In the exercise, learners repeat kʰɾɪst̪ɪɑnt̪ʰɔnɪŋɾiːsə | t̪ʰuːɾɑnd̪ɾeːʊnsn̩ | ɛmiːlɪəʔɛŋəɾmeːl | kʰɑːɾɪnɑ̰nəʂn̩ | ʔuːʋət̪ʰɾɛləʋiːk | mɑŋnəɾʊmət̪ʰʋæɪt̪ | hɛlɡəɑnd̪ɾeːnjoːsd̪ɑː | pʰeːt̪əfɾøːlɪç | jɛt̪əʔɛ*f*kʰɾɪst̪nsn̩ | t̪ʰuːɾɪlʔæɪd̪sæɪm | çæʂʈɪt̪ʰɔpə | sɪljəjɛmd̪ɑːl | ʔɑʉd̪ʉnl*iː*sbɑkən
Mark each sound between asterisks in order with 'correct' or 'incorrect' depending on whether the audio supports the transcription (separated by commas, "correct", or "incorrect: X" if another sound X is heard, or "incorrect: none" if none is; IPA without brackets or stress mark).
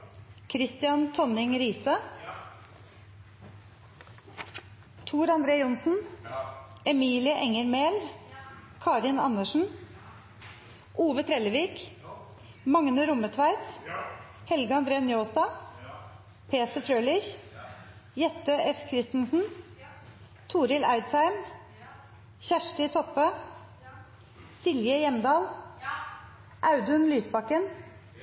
correct, incorrect: yː